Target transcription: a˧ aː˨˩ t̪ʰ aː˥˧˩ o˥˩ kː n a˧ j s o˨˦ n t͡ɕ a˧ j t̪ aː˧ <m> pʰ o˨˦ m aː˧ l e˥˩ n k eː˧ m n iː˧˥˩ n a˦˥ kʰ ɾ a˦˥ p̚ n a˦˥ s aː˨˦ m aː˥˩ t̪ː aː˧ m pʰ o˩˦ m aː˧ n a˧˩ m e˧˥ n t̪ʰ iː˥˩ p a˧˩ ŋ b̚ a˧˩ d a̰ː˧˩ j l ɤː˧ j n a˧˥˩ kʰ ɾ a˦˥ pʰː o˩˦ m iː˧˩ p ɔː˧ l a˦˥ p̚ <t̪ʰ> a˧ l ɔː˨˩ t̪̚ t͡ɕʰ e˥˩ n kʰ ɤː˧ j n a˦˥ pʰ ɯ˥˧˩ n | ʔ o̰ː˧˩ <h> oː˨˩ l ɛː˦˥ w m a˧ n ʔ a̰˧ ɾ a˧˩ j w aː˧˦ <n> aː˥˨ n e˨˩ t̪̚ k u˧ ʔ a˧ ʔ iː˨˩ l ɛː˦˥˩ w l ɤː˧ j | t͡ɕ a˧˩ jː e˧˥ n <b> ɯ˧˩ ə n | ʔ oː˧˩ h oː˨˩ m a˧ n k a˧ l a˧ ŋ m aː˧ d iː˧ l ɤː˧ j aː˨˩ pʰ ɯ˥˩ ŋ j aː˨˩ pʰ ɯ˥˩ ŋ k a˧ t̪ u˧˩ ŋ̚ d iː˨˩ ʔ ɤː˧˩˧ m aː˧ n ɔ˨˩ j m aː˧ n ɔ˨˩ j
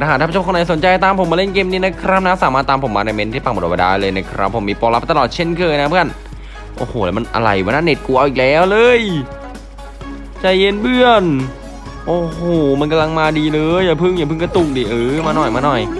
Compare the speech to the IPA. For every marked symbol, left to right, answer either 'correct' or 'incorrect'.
correct, incorrect: t̪, correct, correct, correct

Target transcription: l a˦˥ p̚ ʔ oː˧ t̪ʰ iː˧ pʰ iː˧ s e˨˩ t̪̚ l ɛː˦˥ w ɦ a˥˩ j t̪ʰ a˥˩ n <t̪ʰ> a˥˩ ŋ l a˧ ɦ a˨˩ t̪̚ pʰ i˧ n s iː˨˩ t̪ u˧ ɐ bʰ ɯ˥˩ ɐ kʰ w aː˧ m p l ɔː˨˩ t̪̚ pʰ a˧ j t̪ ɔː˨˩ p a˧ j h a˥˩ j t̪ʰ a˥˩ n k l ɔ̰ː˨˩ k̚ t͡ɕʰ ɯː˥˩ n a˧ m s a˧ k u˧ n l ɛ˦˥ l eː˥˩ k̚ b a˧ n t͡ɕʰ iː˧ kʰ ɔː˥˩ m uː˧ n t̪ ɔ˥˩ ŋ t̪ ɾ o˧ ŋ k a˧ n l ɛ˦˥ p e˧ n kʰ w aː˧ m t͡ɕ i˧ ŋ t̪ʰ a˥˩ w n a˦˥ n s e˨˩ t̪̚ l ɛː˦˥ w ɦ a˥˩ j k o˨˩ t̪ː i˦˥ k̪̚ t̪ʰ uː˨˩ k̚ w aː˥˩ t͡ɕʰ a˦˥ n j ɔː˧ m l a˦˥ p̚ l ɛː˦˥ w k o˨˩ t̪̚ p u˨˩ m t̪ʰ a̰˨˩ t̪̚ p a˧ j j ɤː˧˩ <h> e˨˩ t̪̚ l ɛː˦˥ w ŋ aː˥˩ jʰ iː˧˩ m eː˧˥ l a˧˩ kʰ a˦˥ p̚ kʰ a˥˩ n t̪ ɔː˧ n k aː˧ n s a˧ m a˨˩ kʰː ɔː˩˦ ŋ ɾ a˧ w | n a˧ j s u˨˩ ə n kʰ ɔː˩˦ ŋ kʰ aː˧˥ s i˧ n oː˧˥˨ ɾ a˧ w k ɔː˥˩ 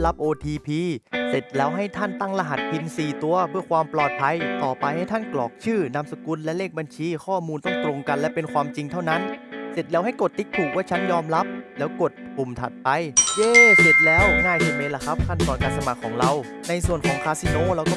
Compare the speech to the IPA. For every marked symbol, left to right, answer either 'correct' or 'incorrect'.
incorrect: t̪, incorrect: s

